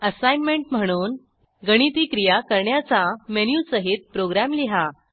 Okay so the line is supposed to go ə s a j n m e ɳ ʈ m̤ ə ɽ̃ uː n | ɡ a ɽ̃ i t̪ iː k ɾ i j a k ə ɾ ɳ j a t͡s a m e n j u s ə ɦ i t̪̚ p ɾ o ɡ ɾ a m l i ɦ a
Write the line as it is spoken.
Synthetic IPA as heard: ə s a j n m e ɳ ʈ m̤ ə ɽ̃ uː n | ɡ ə ɽ̃ i t̪ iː k ɾ i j a k ə ɾ ɳ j a t͡s a m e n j u s ə ɦ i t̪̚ p ɾ o ɡ ɾ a m l i ɦ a